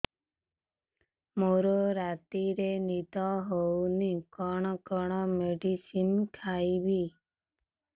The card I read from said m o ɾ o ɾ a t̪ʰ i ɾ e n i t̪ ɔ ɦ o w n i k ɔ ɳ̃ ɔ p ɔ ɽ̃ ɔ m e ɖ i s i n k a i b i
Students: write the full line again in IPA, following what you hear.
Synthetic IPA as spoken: m o ɾ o ɾ a t̪ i ɾ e n i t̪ ɔ ɦ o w n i k ɔ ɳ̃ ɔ k ɔ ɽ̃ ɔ m e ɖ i s i n kʰ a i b i